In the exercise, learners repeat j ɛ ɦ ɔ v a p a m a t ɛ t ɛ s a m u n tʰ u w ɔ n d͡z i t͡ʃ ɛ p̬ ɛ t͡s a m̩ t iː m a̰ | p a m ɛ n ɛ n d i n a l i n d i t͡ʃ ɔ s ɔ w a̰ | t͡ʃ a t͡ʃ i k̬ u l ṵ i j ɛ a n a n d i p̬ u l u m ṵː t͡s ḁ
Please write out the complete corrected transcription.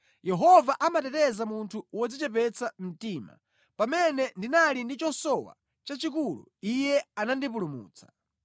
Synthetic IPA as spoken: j ɛ ɦ ɔ v a ʔ a m a t ɛ t ɛ z a m u n tʰ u w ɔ d͡z i t͡ʃ ɛ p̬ ɛ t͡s a m̩ t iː m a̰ | p a m ɛ n ɛ n d i n a l i n d i t͡ʃ ɔ s ɔ w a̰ | t͡ʃ a t͡ʃ i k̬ u l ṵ i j ɛ a n a n d i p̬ u l u m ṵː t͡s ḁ